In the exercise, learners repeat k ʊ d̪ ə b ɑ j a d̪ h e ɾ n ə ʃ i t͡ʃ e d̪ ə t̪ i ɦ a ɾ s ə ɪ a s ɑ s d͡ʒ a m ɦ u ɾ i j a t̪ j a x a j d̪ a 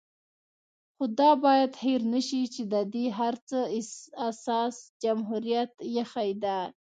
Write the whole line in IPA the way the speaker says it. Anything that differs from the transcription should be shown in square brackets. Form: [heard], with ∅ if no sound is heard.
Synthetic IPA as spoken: [x] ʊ d̪ [ɑ] b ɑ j a d̪ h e ɾ n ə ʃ i t͡ʃ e d̪ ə [d̪] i ɦ a ɾ [t͡s] ə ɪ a s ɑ s d͡ʒ a m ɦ u ɾ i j a t̪ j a x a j d̪ a